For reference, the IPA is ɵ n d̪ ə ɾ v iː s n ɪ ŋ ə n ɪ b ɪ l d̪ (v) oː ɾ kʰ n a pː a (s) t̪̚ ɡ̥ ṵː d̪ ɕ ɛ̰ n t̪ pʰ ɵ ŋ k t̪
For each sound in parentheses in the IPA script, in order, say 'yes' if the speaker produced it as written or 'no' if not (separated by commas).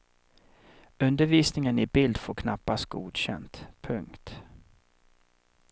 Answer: no, yes